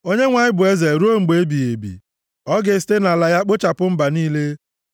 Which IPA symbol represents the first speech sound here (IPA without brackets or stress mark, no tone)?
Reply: o